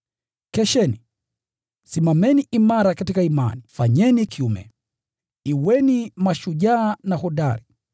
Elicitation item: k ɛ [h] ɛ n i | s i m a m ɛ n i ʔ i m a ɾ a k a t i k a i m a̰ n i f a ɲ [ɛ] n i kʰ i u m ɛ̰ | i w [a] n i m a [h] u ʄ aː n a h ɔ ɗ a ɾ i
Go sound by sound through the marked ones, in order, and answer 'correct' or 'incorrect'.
incorrect: ʃ, correct, incorrect: ɛ, incorrect: ʃ

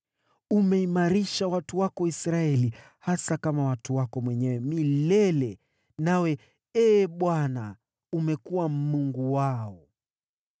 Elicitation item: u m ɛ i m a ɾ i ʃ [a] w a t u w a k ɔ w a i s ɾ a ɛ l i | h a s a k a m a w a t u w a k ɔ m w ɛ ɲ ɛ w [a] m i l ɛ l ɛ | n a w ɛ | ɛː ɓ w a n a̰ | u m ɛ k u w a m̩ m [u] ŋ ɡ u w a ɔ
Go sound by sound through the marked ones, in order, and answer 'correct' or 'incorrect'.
correct, incorrect: ɛ, correct

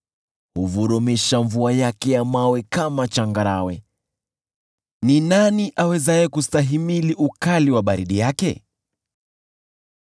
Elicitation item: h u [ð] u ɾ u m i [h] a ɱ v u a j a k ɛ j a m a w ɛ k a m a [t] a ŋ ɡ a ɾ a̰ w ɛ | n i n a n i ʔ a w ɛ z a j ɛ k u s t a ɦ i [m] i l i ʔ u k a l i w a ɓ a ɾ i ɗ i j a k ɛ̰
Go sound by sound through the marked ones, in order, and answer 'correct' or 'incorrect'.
incorrect: v, incorrect: ʃ, incorrect: t͡ʃ, correct

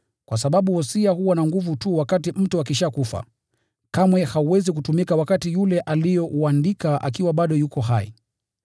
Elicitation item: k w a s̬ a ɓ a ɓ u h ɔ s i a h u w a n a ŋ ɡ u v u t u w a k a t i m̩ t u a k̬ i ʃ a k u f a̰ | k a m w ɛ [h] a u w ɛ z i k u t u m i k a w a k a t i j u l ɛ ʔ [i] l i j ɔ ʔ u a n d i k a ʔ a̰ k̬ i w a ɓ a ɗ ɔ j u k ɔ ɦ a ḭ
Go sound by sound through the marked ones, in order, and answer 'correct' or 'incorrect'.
correct, incorrect: a

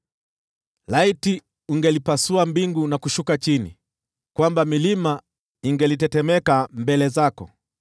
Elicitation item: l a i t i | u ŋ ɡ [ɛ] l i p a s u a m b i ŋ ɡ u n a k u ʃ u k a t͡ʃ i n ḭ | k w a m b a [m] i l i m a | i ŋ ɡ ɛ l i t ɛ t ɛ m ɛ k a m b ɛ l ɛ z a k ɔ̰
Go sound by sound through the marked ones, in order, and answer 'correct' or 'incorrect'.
correct, correct

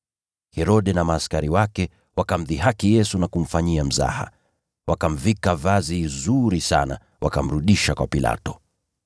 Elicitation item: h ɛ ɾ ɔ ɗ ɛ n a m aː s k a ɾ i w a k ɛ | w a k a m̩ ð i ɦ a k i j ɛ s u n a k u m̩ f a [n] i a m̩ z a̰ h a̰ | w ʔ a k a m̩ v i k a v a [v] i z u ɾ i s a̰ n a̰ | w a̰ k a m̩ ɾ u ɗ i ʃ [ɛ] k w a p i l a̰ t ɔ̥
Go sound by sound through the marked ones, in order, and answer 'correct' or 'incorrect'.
incorrect: ɲ, incorrect: z, incorrect: a

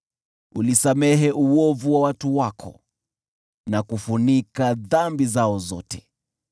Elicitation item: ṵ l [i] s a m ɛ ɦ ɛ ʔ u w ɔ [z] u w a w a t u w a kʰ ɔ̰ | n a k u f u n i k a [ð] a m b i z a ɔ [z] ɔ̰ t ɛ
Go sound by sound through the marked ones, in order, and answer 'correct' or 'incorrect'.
correct, incorrect: v, correct, correct

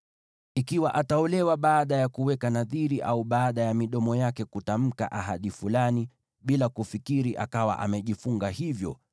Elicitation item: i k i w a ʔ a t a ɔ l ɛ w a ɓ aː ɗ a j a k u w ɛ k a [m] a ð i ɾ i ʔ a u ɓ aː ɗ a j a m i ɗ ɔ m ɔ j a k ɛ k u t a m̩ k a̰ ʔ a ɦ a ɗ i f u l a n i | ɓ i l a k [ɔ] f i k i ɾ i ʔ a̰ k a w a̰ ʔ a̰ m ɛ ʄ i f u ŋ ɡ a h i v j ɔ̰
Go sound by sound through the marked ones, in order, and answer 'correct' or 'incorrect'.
incorrect: n, incorrect: u

